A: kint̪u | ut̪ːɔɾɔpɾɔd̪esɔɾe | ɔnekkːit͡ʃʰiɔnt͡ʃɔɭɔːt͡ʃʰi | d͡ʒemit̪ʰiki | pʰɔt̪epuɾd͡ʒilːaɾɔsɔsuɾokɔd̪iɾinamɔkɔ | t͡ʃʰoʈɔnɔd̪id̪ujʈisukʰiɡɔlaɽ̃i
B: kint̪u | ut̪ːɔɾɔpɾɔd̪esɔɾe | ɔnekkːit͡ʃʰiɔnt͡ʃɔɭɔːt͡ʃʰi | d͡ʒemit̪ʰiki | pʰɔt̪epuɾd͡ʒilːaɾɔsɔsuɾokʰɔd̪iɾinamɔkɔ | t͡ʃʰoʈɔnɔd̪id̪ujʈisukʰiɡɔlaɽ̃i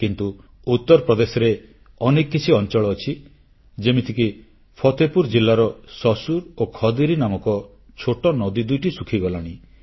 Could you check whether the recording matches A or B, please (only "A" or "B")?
B